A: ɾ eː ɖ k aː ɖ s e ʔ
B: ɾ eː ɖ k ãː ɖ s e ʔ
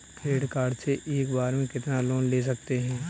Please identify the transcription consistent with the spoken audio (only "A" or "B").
A